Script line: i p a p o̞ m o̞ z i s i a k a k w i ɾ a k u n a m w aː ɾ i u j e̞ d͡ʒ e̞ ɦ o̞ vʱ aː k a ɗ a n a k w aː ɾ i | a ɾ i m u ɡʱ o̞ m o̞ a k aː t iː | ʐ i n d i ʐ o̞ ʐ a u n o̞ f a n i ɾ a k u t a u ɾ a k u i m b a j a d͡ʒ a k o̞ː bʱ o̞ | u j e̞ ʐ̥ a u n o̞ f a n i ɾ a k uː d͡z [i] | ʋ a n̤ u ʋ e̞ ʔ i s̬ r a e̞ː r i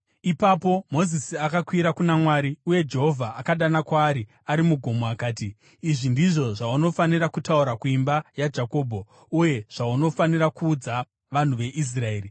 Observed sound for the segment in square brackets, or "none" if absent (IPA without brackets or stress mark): a